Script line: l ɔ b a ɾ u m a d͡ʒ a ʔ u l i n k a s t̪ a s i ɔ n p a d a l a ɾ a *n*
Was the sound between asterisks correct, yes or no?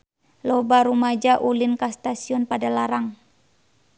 no